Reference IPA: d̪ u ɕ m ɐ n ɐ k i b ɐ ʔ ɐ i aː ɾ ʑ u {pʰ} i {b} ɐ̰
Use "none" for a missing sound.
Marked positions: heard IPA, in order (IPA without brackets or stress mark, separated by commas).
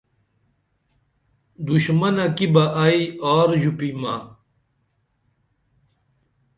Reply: p, m